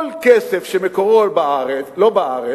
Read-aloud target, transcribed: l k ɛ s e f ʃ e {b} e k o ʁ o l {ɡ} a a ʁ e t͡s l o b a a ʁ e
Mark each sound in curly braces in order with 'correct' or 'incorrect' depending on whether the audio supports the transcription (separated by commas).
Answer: incorrect, incorrect